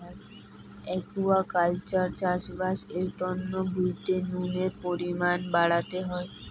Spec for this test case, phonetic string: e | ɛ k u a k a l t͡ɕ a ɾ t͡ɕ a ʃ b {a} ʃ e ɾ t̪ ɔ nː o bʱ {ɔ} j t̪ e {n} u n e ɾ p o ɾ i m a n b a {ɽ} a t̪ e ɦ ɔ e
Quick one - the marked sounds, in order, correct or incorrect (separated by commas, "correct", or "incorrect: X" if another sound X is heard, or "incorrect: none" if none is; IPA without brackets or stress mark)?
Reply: correct, incorrect: u, correct, correct